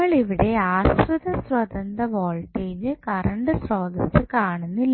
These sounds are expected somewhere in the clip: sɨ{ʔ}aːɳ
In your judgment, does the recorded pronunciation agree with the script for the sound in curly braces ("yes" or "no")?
no